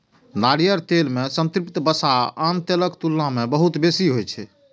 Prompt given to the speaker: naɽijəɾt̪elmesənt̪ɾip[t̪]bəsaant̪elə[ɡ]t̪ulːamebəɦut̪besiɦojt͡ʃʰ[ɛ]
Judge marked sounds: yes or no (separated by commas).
yes, no, yes